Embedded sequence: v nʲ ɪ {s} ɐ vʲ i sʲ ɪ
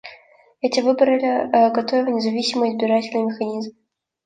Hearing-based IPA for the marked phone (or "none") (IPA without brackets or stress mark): z